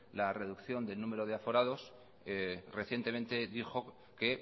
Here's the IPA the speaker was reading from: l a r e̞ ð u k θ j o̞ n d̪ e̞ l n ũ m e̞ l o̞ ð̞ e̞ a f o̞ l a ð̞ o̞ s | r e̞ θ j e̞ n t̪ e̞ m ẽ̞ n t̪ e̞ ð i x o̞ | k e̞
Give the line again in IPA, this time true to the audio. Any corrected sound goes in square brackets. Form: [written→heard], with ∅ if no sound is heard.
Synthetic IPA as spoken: l a r e̞ ð u k θ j o̞ n d̪ e̞ l n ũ m e̞ [l→ɾ] o̞ ð̞ e̞ a f o̞ [l→ɾ] a ð̞ o̞ s | r e̞ θ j e̞ n t̪ e̞ m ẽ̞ n t̪ e̞ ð i x o̞ | k e̞

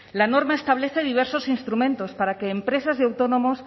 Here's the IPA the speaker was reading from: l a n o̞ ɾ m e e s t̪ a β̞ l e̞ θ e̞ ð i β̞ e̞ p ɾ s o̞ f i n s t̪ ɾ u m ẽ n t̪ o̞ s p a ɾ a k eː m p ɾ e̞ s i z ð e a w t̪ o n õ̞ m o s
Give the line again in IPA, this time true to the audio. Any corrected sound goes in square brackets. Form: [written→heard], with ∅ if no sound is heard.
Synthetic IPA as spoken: l a n o̞ ɾ m [e→a] e s t̪ a β̞ l e̞ θ e̞ ð i β̞ e̞ [p→∅] ɾ s o̞ [f→s] i n s t̪ ɾ u m ẽ n t̪ o̞ s p a ɾ a k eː m p ɾ e̞ s [i→a] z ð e a w t̪ o n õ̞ m o s

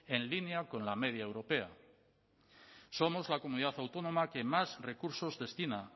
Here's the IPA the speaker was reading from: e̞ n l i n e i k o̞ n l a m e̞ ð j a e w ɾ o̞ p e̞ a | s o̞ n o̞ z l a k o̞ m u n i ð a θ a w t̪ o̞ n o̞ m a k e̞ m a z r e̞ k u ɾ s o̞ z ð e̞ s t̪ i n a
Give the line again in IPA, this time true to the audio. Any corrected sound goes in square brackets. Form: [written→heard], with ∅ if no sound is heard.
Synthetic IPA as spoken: e̞ n l i n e [i→a] k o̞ n l a m e̞ ð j a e w ɾ o̞ p e̞ a | s o̞ [n→m] o̞ z l a k o̞ m u n i ð a θ a w t̪ o̞ n o̞ m a k e̞ m a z r e̞ k u ɾ s o̞ z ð e̞ s t̪ i n a

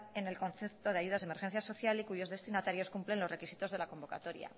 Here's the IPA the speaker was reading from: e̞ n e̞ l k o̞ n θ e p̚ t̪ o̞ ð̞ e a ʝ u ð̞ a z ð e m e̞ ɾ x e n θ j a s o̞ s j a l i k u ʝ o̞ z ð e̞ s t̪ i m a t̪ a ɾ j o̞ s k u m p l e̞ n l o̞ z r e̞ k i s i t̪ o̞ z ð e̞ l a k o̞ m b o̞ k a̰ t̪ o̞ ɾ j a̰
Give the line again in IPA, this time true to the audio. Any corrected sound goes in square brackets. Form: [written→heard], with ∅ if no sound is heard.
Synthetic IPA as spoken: e̞ n e̞ l k o̞ n θ e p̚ t̪ o̞ ð̞ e a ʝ u ð̞ a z ð e m e̞ ɾ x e n θ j a s o̞ [s→θ] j a l i k u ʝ o̞ z ð e̞ s t̪ i [m→n] a t̪ a ɾ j o̞ s k u m p l e̞ n l o̞ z r e̞ k i s i t̪ o̞ z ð e̞ l a k o̞ m b o̞ k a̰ t̪ o̞ ɾ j a̰

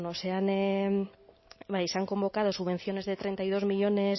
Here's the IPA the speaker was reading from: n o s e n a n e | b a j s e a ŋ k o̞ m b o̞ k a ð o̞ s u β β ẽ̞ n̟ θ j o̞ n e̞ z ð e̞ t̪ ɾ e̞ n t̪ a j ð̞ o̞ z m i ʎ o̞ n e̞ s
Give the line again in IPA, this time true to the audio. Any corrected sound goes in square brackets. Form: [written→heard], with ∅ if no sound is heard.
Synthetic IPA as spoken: n o s e [n→∅] a n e | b a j s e a ŋ k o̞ m b o̞ k a ð o̞ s u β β [ẽ̞→e̞] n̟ θ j o̞ n e̞ z ð e̞ t̪ ɾ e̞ n t̪ a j ð̞ o̞ z m i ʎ o̞ n e̞ s

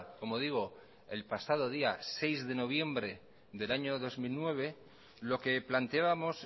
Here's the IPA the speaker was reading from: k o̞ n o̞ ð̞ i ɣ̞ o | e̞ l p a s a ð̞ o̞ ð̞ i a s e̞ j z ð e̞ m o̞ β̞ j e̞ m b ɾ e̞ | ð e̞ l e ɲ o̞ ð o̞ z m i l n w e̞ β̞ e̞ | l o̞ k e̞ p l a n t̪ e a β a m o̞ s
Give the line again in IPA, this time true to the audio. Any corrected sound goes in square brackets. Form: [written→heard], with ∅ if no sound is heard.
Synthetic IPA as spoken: k o̞ [n→m] o̞ ð̞ i ɣ̞ o | e̞ l p a s a ð̞ o̞ ð̞ i a s e̞ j z ð e̞ [m→n] o̞ β̞ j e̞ m b ɾ e̞ | ð e̞ l [e→a] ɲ o̞ ð o̞ z m i l n w e̞ β̞ e̞ | l o̞ k e̞ p l a n t̪ e a β a m o̞ s

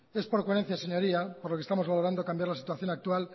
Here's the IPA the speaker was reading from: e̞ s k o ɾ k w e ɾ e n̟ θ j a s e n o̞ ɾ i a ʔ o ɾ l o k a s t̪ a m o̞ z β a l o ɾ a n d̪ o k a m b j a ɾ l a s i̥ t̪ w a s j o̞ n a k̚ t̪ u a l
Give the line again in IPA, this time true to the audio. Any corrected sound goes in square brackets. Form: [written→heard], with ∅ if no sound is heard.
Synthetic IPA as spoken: e̞ s [k→p] o ɾ k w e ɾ e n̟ θ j a s e [n→ɲ] o̞ ɾ i a [ʔ→p] o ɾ l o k [a→e] s t̪ a m o̞ z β a l o ɾ a n d̪ o k a m b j a ɾ l a s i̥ t̪ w a [s→θ] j o̞ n a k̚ t̪ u a l

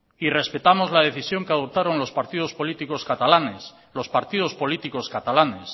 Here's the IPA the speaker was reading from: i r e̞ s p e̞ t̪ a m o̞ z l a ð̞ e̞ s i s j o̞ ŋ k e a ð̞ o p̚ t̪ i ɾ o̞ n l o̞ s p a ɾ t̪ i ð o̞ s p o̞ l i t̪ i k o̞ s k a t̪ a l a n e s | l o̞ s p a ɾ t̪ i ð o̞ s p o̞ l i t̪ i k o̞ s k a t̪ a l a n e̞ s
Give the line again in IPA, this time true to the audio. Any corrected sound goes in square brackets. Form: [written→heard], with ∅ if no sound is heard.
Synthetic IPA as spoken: i r e̞ s p e̞ t̪ a m o̞ z l a ð̞ e̞ [s→θ] i s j o̞ ŋ k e a ð̞ o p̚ t̪ [i→a] ɾ o̞ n l o̞ s p a ɾ t̪ i ð o̞ s p o̞ l i t̪ i k o̞ s k a t̪ a l a n e s | l o̞ s p a ɾ t̪ i ð o̞ s p o̞ l i t̪ i k o̞ s k a t̪ a l a n e̞ s

